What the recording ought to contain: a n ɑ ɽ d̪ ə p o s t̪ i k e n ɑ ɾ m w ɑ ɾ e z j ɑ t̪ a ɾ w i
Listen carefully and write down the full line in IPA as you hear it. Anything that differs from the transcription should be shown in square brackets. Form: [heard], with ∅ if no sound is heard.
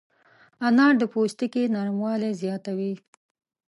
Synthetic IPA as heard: a n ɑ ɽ d̪ ə p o s t̪ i k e n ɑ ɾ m w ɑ [l] e z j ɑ t̪ a [∅] w i